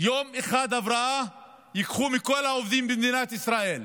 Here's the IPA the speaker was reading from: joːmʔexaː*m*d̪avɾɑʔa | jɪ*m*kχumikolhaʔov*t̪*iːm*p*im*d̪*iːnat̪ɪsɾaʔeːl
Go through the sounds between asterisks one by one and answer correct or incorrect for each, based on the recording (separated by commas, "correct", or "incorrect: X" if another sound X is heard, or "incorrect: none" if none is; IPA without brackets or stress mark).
incorrect: none, incorrect: none, incorrect: d̪, incorrect: b, correct